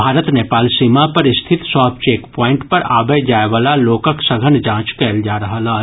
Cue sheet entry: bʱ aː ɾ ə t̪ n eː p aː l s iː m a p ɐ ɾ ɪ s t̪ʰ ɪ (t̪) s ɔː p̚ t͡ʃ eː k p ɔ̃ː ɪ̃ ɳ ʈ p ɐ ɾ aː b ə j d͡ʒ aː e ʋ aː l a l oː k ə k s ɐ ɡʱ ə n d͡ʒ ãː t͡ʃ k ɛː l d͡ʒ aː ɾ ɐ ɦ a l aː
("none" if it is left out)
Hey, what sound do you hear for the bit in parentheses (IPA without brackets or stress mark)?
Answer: t̪